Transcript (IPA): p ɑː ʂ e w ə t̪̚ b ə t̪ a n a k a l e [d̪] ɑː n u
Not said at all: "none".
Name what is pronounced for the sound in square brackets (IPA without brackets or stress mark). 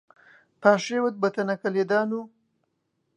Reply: d̪